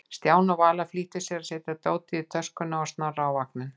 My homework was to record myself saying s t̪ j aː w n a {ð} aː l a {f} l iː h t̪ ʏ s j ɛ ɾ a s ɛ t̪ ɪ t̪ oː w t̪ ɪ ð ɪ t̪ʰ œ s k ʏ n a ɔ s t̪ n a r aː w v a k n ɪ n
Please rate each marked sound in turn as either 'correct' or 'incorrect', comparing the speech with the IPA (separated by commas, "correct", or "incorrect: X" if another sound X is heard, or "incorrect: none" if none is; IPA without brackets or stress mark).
incorrect: v, correct